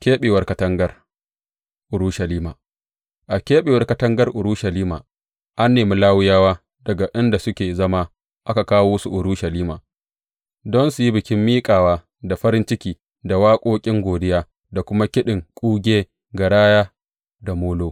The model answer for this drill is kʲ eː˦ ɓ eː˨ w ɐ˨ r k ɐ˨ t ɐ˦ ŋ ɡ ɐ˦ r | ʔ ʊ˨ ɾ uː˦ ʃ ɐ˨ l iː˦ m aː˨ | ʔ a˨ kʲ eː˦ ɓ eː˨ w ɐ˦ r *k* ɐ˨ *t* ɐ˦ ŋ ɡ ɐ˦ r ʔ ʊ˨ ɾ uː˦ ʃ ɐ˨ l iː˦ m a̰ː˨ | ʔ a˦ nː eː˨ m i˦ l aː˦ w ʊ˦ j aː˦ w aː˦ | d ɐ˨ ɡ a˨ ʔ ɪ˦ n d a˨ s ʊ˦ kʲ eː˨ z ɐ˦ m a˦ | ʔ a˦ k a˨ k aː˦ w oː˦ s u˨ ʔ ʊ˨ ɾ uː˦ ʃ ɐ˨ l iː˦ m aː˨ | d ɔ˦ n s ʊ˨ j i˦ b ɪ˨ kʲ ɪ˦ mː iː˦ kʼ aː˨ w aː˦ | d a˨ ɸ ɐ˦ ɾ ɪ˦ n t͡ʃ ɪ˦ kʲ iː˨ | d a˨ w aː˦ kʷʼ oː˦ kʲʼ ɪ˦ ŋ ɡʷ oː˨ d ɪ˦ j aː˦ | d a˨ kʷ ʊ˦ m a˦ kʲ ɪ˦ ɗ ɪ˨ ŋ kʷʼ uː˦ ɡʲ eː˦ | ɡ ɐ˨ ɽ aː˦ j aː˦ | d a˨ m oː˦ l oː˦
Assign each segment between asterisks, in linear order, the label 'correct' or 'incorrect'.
correct, correct

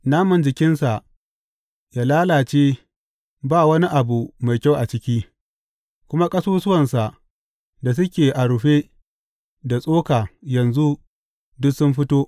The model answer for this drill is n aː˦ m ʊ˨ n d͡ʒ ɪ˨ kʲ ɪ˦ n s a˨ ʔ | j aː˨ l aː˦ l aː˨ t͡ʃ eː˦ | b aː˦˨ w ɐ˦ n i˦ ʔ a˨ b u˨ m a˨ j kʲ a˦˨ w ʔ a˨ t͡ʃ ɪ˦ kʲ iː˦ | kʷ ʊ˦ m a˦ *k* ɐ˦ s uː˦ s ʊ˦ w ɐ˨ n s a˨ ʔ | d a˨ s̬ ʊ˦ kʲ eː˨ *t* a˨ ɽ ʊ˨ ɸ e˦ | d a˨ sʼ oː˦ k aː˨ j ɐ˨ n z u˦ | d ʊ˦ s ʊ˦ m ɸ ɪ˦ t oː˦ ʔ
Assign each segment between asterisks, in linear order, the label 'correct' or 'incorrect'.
incorrect: kʼ, incorrect: ʔ

